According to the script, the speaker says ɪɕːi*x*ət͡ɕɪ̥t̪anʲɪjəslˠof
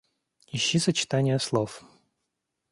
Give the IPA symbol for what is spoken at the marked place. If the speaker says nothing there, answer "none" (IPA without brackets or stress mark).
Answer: s